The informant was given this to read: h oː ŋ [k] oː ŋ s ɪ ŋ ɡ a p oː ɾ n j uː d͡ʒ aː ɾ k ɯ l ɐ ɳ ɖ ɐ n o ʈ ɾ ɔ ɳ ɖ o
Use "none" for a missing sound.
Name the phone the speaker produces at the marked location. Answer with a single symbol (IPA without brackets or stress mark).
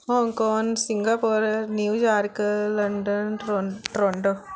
k